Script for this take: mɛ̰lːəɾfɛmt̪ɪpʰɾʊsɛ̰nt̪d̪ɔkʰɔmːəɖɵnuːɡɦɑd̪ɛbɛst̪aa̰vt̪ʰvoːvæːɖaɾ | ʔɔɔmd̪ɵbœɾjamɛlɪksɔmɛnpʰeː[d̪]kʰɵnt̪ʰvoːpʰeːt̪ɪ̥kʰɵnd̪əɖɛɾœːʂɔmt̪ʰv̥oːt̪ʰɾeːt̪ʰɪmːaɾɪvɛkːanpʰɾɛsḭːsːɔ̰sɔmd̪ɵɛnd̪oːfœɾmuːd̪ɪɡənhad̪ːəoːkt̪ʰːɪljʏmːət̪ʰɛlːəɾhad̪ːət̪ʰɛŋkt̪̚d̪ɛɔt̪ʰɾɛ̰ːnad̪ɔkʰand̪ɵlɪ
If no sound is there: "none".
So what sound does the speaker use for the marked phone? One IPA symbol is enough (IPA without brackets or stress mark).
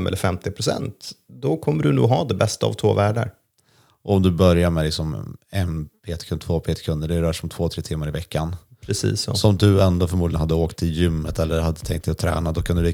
t̪